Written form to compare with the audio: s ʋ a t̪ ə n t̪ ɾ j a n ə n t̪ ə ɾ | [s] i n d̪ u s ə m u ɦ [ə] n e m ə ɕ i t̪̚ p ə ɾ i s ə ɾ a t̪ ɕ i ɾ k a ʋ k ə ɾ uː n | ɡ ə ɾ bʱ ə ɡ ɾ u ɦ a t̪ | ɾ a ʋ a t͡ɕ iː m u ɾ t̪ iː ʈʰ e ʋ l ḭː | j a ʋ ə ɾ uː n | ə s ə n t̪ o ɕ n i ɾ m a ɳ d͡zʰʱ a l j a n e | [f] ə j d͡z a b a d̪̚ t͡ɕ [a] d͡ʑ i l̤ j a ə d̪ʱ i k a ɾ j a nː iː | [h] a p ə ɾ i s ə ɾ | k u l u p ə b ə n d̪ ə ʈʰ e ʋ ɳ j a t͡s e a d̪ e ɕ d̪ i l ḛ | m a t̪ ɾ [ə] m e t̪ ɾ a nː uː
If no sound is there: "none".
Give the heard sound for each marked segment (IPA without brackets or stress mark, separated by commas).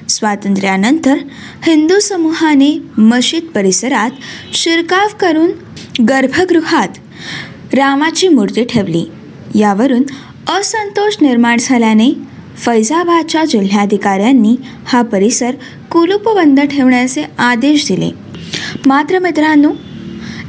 h, a, f, a, h, ə